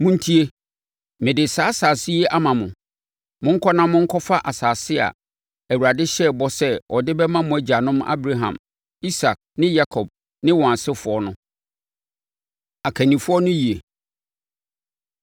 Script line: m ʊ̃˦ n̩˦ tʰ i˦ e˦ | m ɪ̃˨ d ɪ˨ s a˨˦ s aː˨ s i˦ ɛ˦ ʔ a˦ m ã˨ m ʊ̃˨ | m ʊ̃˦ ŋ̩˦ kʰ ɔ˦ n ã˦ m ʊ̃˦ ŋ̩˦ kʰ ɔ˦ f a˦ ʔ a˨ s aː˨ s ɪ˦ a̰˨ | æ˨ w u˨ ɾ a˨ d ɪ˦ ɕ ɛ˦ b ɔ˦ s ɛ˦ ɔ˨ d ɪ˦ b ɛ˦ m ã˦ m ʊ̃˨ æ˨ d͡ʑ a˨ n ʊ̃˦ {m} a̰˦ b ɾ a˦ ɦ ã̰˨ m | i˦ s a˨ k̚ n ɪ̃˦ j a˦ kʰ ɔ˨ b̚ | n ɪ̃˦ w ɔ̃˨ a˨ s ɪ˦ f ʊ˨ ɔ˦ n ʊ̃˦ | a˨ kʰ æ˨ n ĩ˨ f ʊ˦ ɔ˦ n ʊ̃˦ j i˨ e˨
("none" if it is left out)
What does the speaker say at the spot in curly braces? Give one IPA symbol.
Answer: m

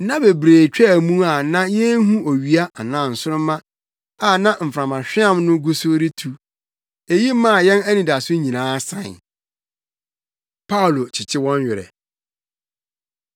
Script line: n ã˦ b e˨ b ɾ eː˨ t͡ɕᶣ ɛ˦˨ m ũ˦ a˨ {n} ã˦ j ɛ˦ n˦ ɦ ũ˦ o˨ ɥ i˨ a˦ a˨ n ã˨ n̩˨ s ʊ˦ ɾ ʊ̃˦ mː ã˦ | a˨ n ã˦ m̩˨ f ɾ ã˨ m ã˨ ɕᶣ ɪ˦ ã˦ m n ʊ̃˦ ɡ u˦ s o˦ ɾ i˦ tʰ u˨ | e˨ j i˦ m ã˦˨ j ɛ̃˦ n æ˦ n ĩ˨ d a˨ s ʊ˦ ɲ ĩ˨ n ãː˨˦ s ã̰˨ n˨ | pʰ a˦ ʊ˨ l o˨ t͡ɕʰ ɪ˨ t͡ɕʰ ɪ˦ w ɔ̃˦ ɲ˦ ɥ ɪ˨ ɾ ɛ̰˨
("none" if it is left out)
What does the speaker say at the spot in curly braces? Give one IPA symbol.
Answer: n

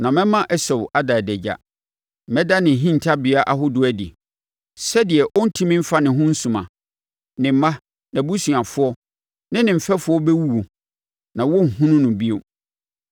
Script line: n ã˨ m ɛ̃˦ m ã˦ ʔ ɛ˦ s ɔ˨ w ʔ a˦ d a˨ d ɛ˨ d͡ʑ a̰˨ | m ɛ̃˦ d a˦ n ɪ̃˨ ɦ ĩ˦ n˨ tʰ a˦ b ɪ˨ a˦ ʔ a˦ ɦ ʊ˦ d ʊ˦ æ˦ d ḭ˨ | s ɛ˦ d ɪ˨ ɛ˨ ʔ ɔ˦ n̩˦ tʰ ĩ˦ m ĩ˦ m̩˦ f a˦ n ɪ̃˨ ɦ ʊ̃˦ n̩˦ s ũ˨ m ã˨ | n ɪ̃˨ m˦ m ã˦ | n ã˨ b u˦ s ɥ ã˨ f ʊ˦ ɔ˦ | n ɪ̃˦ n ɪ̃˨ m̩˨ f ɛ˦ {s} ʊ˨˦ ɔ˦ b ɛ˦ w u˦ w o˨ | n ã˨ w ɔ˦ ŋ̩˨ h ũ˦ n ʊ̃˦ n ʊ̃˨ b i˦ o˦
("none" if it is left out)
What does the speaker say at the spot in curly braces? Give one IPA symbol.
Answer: f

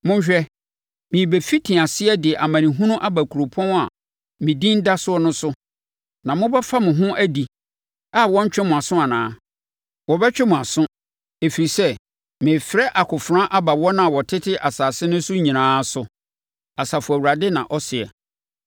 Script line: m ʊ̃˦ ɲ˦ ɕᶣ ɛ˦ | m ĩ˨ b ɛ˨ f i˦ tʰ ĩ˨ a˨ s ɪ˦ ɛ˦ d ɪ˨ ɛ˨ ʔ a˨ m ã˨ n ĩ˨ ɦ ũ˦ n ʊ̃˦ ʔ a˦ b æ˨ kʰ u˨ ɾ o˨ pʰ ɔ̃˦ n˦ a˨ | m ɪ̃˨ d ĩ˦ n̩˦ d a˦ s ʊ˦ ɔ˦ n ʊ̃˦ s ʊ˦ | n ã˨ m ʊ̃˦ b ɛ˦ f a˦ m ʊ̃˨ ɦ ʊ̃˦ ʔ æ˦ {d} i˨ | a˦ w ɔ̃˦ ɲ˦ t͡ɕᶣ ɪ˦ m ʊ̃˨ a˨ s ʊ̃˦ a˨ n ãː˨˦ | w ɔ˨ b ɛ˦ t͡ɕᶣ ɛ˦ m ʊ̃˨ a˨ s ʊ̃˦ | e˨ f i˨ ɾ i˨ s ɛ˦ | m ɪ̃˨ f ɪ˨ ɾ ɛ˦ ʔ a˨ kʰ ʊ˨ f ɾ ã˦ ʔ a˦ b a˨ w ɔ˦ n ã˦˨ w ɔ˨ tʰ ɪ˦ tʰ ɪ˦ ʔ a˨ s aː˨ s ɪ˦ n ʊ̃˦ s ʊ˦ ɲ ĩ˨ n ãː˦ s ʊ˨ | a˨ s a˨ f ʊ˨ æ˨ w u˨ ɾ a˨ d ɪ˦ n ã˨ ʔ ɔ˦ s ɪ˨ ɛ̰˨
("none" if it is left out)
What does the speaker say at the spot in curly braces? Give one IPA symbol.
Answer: d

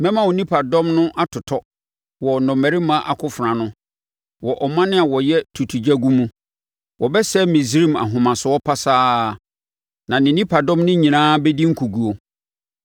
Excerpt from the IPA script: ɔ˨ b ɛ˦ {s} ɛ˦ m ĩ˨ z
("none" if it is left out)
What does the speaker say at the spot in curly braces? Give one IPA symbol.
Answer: s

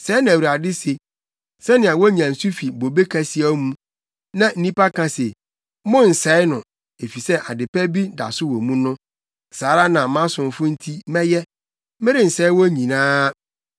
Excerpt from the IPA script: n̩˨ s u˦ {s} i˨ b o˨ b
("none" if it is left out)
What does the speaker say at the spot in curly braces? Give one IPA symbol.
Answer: f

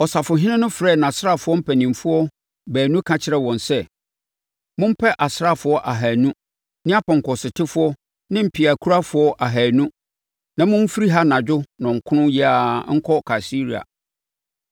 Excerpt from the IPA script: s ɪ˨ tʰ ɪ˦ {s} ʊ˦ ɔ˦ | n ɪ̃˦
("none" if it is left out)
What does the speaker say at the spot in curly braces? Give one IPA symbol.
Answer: f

